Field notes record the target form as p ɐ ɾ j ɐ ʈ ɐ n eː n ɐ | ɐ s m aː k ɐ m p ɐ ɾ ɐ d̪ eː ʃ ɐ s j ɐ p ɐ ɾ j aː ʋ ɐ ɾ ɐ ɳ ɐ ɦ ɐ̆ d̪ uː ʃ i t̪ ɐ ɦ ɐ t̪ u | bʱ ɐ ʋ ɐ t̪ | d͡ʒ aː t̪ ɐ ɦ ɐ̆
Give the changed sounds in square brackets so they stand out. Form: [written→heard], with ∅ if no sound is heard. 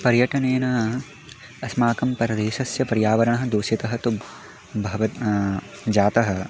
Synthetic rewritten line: p ɐ ɾ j ɐ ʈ ɐ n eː n ɐ | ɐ s m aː k ɐ m p ɐ ɾ ɐ d̪ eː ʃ ɐ s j ɐ p ɐ ɾ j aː ʋ ɐ ɾ ɐ ɳ ɐ ɦ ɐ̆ d̪ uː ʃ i t̪ ɐ ɦ ɐ t̪ u | bʱ ɐ ʋ ɐ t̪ | d͡ʒ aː t̪ ɐ ɦ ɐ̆